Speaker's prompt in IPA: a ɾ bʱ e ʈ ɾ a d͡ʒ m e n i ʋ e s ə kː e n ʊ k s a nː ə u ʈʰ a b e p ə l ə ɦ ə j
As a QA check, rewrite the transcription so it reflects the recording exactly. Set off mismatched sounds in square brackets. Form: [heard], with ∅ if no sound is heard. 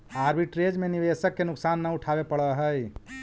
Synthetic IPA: a ɾ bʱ [i] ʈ ɾ [e] d͡ʒ m e n i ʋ e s ə kː e n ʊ k s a nː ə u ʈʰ a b e p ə [ɽ] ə ɦ ə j